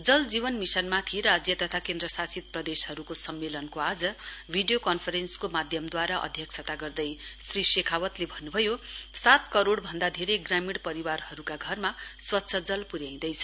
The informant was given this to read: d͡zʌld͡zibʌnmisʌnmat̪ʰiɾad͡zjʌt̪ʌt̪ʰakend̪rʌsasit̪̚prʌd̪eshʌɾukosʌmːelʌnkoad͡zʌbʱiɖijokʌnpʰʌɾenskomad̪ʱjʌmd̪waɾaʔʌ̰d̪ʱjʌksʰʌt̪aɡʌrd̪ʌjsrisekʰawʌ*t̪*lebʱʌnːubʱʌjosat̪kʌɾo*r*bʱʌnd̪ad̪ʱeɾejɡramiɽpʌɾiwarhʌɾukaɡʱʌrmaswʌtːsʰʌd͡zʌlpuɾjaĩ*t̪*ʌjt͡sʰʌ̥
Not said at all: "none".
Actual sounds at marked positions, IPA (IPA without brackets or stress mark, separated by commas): t̪, ɽ, d̪